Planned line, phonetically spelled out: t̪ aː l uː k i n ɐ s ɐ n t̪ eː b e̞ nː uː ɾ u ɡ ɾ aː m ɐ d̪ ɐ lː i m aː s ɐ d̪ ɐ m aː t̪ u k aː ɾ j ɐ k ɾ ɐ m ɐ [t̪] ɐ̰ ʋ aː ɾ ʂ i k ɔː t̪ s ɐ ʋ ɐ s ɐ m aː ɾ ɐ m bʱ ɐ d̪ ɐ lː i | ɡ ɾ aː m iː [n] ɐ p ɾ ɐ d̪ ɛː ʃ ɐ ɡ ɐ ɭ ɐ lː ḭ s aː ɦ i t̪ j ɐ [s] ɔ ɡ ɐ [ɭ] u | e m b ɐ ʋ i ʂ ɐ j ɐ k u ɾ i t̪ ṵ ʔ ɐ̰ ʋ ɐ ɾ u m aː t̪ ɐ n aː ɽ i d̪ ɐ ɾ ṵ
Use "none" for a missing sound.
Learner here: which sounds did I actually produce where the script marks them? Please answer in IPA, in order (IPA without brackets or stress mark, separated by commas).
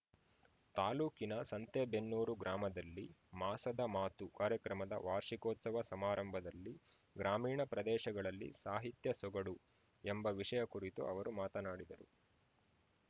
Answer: d̪, ɳ, s, ɽ